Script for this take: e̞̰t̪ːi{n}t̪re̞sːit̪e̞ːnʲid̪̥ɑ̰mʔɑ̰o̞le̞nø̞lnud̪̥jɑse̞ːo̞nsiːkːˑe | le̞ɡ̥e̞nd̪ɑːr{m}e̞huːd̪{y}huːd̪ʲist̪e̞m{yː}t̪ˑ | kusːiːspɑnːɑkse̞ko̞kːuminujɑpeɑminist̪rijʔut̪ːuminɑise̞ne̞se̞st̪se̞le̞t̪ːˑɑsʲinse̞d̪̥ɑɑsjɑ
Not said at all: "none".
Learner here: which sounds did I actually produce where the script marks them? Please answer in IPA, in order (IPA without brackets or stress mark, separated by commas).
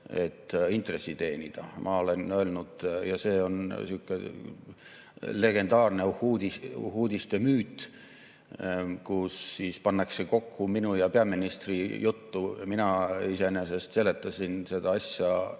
n, n, i, yː